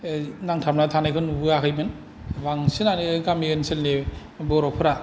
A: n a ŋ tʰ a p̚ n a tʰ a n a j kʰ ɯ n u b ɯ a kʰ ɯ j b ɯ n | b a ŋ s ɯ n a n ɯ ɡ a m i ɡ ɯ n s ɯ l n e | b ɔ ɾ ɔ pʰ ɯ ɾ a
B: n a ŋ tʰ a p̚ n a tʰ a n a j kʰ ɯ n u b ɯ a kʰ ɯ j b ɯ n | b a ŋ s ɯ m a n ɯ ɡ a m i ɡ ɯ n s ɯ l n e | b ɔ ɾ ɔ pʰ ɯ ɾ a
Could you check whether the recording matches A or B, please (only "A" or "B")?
A